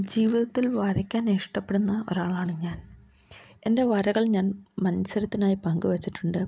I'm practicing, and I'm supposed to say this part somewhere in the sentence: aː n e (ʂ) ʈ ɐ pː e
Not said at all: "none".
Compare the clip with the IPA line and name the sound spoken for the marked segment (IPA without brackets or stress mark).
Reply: ʂ